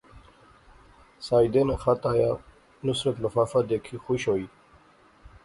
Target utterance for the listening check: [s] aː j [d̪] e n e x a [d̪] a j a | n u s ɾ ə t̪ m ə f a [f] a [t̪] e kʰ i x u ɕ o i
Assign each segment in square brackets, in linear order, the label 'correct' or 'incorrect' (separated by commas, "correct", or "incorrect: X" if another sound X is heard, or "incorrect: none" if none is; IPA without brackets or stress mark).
correct, correct, incorrect: t̪, correct, incorrect: d̪